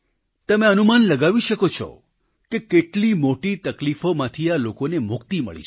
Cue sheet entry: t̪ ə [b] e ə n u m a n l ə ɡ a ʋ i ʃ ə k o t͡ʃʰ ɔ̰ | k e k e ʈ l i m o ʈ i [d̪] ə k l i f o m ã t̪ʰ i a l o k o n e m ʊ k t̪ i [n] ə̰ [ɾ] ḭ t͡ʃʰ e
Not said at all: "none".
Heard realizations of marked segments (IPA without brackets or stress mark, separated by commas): m, t̪, m, ɭ